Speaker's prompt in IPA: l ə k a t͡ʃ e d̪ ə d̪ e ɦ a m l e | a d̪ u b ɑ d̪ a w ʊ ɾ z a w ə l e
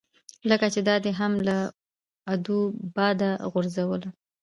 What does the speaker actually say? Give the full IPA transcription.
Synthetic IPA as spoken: l ə k a t͡ʃ e d̪ ɑ d̪ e ɦ a m l a | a d̪ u b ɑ d̪ a ɣ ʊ ɾ z a w ə l a